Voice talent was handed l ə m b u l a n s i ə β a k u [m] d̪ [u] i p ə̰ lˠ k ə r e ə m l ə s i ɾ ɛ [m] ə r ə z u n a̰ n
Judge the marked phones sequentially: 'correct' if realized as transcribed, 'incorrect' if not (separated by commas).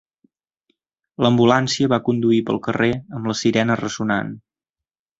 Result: incorrect, correct, incorrect